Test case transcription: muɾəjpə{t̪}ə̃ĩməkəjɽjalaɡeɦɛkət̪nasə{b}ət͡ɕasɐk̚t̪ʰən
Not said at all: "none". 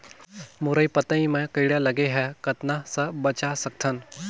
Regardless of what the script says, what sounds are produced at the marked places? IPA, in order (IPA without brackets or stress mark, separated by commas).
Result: t̪, b